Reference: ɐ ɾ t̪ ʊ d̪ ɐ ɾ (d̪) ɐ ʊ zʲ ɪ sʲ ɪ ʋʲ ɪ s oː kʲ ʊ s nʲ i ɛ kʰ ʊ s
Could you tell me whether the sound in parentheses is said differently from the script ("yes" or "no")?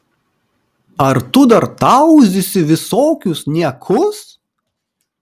yes